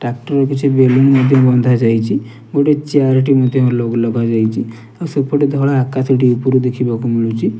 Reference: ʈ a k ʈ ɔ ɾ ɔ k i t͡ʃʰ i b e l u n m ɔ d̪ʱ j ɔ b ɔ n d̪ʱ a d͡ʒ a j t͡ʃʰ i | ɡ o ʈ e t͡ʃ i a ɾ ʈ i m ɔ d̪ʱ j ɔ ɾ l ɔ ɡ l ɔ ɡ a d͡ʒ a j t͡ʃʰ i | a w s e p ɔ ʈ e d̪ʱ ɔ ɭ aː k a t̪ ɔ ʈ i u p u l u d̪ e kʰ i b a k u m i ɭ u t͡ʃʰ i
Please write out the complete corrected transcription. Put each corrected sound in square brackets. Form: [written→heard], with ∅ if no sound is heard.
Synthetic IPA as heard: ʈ a k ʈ ɔ ɾ ɔ k i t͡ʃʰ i b e l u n m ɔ d̪ʱ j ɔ b ɔ n d̪ʱ a d͡ʒ a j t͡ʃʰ i | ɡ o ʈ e t͡ʃ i a ɾ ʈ i m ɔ d̪ʱ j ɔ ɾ l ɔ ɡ l ɔ ɡ a d͡ʒ a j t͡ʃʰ i | a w s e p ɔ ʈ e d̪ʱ ɔ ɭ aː k a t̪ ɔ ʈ i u p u [l→ɾ] u d̪ e kʰ i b a k u m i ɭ u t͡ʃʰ i